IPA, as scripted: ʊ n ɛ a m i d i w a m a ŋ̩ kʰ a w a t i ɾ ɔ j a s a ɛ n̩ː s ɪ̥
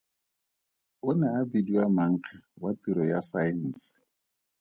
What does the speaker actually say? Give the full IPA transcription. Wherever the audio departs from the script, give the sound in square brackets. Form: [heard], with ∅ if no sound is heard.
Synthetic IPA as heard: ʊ n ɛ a [b] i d i w a m a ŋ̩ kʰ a w a t i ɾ ɔ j a s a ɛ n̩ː s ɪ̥